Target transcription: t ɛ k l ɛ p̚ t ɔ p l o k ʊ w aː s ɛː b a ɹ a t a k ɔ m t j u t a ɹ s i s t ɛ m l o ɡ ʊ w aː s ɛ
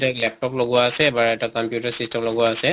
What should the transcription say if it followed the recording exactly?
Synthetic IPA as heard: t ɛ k l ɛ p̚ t ɔ p l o ɡ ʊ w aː s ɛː b a ɹ ɛ t a k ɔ m p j u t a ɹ s i s t ɛ m l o ɡ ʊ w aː s ɛ